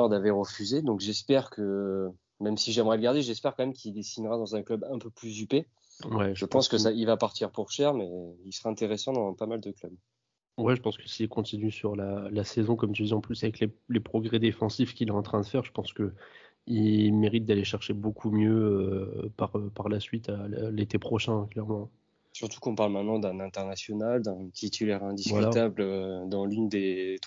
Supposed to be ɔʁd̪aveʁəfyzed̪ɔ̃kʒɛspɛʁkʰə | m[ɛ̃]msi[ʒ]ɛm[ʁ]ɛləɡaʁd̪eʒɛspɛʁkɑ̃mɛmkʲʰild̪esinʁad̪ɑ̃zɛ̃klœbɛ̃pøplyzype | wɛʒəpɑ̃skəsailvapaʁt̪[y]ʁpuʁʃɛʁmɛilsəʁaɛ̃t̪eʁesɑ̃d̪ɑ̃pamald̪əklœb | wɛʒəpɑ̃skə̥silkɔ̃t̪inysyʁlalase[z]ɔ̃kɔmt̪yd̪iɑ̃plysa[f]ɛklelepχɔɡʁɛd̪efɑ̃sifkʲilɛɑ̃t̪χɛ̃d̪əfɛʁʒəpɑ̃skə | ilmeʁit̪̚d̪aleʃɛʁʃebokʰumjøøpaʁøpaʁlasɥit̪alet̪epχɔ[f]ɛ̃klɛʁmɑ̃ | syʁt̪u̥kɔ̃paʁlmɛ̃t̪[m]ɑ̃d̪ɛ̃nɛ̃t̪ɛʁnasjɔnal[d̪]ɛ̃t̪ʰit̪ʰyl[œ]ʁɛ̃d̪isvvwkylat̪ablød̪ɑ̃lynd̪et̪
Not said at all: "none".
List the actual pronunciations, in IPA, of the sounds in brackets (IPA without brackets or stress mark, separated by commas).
ɛ, ʒ, ʁ, i, z, v, ʃ, n, d̪, ɛ